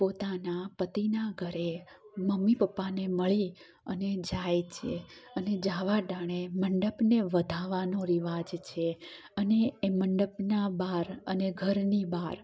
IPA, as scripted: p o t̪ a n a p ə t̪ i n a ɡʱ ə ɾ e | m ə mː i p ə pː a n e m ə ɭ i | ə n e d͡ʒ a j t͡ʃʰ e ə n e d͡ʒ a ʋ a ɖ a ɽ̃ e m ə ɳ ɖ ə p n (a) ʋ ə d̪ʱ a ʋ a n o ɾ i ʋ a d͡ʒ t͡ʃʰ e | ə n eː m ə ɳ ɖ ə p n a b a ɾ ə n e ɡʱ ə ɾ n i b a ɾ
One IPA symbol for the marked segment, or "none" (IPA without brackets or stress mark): e